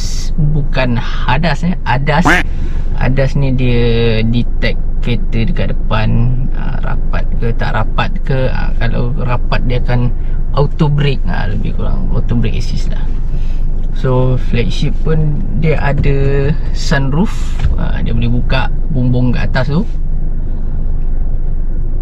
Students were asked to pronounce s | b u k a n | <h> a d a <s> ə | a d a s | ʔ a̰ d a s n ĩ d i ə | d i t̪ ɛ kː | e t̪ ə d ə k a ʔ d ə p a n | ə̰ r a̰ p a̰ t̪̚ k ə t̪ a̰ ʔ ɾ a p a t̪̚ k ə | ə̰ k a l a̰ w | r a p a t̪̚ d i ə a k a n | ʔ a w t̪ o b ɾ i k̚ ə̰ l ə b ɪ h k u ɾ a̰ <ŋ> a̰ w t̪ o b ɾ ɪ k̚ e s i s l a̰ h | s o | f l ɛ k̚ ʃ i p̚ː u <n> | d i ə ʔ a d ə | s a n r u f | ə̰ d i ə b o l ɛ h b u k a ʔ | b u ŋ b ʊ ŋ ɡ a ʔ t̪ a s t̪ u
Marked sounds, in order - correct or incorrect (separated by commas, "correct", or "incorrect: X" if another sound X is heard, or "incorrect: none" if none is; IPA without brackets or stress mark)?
correct, correct, correct, correct